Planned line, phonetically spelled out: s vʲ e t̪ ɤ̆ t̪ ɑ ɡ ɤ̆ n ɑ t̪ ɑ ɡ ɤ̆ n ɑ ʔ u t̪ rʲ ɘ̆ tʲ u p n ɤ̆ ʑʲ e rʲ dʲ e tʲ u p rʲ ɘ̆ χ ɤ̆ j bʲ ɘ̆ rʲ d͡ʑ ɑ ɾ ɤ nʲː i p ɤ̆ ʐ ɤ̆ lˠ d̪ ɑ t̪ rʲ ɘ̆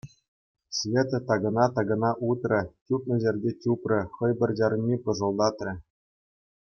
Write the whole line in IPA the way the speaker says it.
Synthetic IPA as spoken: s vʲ e t̪ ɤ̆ t̪ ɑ ɡ ɤ̆ n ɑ t̪ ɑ ɡ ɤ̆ n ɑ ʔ u t̪ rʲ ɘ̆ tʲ u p n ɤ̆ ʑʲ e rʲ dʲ e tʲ u p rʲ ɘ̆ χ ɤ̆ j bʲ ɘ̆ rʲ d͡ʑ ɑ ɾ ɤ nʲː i p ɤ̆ ʐ ɤ̆ lˠ d̪ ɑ t̪ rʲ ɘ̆